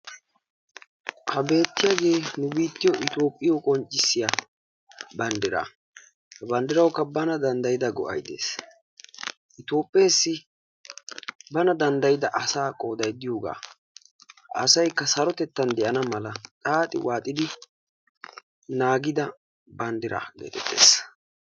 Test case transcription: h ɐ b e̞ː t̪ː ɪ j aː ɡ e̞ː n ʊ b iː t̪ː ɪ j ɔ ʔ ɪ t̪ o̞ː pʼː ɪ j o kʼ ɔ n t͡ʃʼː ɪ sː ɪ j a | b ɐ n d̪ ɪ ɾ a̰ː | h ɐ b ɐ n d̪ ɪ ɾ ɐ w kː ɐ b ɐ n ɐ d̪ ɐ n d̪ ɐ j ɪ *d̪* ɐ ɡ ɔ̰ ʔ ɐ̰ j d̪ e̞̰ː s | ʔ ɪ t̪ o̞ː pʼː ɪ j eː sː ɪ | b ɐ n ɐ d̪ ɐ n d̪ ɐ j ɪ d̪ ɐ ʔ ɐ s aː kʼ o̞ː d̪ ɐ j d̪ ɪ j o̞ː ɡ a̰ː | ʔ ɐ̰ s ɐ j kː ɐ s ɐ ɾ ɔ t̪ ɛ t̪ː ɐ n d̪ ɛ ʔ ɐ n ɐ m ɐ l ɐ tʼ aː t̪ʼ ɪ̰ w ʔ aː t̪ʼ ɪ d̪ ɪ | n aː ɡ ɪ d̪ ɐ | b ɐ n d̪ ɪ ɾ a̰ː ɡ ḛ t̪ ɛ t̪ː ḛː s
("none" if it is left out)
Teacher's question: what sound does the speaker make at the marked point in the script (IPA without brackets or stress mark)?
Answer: d̪